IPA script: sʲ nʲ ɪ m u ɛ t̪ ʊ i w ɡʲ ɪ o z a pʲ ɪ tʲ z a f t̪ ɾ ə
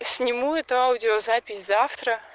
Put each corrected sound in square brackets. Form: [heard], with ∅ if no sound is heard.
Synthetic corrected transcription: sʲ nʲ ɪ m u ɛ t̪ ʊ [a] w [dʲ] ɪ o z a pʲ ɪ [sʲ] z a f t̪ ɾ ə